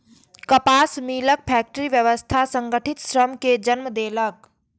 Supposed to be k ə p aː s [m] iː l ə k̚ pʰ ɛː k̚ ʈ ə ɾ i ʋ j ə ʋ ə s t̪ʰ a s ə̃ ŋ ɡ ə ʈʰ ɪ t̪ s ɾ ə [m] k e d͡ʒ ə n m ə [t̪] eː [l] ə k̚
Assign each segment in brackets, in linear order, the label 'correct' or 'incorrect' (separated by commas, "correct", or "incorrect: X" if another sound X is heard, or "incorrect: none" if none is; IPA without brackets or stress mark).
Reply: correct, correct, incorrect: d̪, correct